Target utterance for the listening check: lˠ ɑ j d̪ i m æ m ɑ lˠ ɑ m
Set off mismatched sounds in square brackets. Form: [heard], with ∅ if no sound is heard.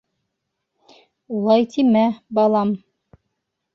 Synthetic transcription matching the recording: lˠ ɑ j [t̪] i m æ [b] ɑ lˠ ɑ m